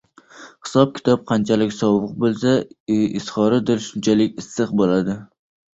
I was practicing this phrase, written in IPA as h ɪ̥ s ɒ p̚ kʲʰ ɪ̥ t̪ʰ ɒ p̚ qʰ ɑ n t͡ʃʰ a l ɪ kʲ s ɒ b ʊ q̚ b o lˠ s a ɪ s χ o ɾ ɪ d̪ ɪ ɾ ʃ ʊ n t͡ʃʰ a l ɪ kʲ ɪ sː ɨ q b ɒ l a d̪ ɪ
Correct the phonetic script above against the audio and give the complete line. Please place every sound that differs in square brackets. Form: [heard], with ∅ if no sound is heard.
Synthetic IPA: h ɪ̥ s ɒ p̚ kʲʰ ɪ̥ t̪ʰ ɒ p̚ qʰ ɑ n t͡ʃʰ a l ɪ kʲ s ɒ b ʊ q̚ b o lˠ s a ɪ s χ [ɒ] ɾ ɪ d̪ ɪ ɾ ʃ ʊ n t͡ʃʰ a l ɪ kʲ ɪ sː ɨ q b [o] l a d̪ ɪ